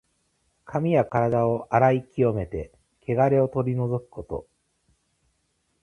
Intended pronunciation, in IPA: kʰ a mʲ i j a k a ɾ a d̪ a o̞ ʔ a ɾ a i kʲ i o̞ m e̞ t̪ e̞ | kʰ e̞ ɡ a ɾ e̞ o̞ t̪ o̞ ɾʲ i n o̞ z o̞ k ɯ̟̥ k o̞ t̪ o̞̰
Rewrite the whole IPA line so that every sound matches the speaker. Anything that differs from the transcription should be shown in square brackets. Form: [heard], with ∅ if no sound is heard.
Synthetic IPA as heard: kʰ a mʲ i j a k a ɾ a d̪ a o̞ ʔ a ɾ a i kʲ i o̞ m e̞ t̪ e̞ | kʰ e̞ ɡ a ɾ e̞ o̞ t̪ o̞ ɾʲ i n o̞ z o̞ k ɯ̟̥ k o̞ t̪ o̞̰